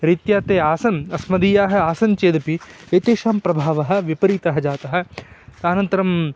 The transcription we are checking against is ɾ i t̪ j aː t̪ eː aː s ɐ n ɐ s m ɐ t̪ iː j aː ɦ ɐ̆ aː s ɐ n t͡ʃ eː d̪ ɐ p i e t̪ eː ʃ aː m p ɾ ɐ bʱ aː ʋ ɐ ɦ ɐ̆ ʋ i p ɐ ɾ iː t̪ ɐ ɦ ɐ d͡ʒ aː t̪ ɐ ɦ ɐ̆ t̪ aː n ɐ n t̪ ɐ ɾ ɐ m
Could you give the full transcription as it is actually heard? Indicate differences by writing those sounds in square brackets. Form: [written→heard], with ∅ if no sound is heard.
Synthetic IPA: ɾ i t̪ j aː t̪ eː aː s ɐ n ɐ s m ɐ [t̪→d̪] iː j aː ɦ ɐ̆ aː s ɐ n t͡ʃ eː d̪ ɐ p i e t̪ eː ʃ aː m p ɾ ɐ bʱ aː ʋ ɐ ɦ ɐ̆ ʋ i p ɐ ɾ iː t̪ ɐ ɦ ɐ d͡ʒ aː t̪ ɐ ɦ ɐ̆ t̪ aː n ɐ n t̪ ɐ ɾ ɐ m